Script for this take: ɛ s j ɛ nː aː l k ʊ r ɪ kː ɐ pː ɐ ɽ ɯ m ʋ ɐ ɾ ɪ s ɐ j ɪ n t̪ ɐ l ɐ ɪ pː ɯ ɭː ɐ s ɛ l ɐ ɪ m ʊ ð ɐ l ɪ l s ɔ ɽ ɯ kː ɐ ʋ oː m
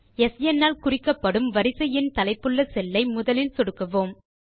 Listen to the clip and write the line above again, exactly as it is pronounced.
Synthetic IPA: ɛ s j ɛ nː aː l k ʊ r ɪ kː ɐ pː ɐ ɽ ɯ m ʋ ɐ ɾ ɪ s ɐ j ɪ n t̪ ɐ l ɐ ɪ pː ɯ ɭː ɐ s ɛ lː ɐ ɪ m ʊ ð ɐ l ɪ l s ɔ ɽ ɯ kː ɐ ʋ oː m

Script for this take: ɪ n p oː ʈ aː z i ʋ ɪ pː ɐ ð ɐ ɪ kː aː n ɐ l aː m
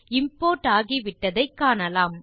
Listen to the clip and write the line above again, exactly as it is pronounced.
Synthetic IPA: ɪ m p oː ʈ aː ɣ i ʋ ɪ ʈː ɐ ð ɐ ɪ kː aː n ɐ l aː m

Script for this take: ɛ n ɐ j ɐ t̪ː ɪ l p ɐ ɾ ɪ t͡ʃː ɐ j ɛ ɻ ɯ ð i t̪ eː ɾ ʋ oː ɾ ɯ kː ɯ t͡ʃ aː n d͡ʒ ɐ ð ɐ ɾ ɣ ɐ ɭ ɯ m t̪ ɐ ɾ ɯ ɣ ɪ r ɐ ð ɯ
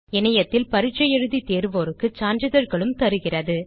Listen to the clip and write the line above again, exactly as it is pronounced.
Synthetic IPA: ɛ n ɐ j ɐ t̪ː ɪ l p ɐ ɾ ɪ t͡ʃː ɐ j ɛ ɻ ɯ ð i t̪ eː ɾ ʋ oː ɾ ɯ kː ɯ t͡ʃ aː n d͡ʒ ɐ ð ɐ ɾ ɣ ɐ ɭ ɯ m t̪ ɐ ɾ ɯ ɣ ɪ r ɐ ð ɯ

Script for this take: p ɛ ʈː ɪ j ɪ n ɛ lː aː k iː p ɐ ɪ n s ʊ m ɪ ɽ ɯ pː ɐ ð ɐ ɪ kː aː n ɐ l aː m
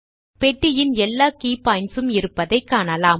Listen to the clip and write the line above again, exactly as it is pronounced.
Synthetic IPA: p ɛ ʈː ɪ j ɪ n ɛ lː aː k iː p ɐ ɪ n s ɯ m ɪ ɾ ɯ pː ɐ ð ɐ ɪ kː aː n ɐ l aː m

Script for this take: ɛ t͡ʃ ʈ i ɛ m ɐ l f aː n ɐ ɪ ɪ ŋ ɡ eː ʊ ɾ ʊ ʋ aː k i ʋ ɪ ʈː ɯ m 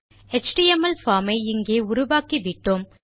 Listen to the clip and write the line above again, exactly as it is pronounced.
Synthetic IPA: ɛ t͡ʃ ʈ i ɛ m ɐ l f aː m ɐ ɪ ɪ ŋ ɡ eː ʊ ɾ ʊ ʋ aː k i ʋ ɪ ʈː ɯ m

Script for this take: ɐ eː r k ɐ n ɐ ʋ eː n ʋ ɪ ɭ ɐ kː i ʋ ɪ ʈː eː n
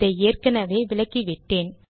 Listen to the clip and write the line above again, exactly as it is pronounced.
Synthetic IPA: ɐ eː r k ɐ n ɐ ʋ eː ʋ ɪ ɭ ɐ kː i ʋ ɪ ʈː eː n

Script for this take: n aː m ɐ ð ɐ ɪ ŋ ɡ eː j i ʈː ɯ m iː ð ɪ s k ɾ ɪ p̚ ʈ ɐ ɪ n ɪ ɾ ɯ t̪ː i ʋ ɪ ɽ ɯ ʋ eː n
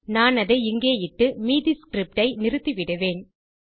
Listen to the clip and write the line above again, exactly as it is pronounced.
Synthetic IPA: n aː n ɐ ð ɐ ɪ ŋ ɡ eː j ɪ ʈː ɯ m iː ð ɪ s k ɾ ɪ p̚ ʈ ɐ ɪ n ɪ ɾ ɯ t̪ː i ʋ ɪ ɽ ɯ ʋ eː n

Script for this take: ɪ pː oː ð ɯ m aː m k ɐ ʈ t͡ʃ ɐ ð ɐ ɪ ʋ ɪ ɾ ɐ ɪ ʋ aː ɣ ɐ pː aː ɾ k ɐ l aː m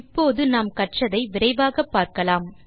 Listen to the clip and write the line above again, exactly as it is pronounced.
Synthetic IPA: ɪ pː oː ð ɯ n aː m k ɐ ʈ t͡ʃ ɐ ð ɐ ɪ ʋ ɪ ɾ ɐ ɪ ʋ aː ɣ ɐ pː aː ɾ k ɐ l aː m

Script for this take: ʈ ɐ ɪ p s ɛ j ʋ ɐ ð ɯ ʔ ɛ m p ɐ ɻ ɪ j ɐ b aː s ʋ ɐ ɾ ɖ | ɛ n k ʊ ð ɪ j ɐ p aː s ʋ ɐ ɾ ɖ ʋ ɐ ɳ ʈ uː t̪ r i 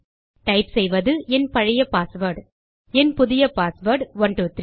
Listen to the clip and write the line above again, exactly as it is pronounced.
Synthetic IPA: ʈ ɐ ɪ p s ɛ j ʋ ɐ ð ɯ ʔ ɛ n p ɐ ɻ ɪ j ɐ p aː s ʋ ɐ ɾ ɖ | ɛ n p ʊ ð ɪ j ɐ p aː s ʋ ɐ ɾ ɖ ʋ ɐ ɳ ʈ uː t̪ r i

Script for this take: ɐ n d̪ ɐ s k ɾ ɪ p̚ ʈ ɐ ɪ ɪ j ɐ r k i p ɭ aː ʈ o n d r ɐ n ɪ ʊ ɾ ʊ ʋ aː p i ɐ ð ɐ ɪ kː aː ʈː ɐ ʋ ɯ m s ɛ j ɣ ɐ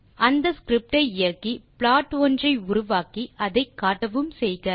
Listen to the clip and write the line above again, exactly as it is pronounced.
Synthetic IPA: ɐ n d̪ ɐ s k ɾ ɪ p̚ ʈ ɐ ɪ ɪ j ɐ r k i p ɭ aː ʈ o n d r ɐ ɪ ʊ ɾ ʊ ʋ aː k i ɐ ð ɐ ɪ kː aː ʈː ɐ ʋ ɯ m s ɛ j ɣ ɐ

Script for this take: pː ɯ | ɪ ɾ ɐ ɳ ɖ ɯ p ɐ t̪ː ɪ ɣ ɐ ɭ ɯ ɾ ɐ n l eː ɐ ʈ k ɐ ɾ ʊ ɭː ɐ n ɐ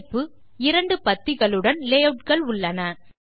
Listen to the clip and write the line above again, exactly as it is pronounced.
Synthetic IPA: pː ɯ | ɪ ɾ ɐ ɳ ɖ ɯ p ɐ t̪ː ɪ ɣ ɐ ɭ ɯ ɽ ɐ n l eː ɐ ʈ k ɐ ɭ ʊ ɭː ɐ n ɐ

